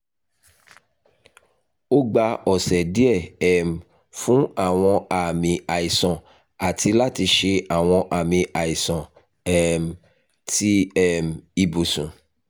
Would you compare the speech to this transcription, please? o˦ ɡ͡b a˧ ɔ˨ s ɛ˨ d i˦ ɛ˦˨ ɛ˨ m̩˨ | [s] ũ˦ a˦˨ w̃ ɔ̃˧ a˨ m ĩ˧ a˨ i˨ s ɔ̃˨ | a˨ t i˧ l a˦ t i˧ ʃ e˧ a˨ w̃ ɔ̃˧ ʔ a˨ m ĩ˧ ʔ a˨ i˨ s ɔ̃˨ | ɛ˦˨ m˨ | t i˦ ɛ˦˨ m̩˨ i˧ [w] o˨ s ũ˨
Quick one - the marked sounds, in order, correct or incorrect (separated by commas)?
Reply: incorrect, incorrect